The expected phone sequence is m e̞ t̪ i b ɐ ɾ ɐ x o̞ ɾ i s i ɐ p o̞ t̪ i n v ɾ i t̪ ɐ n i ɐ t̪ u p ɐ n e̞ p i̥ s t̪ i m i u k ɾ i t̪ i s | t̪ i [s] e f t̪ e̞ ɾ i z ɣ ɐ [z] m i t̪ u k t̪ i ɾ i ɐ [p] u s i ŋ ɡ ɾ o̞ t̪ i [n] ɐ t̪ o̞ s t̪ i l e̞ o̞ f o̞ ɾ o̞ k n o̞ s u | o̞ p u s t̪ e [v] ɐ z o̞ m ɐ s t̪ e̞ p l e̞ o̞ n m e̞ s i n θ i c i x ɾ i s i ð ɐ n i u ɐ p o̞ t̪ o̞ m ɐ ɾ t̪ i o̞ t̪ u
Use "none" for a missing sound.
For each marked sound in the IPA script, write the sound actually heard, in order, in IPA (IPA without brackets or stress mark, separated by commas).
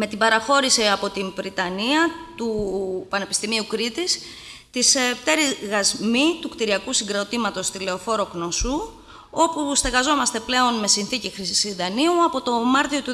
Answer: s, z, k, m, ɣ